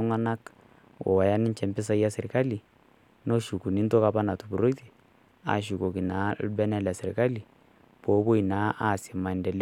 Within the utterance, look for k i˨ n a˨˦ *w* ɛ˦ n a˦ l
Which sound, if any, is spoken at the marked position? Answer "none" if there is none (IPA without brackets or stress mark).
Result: b